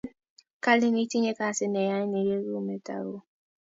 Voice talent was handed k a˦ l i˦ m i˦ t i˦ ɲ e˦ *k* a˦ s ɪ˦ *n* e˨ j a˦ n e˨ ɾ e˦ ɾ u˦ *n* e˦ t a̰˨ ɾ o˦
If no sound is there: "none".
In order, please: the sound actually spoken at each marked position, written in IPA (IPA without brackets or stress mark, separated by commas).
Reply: k, n, m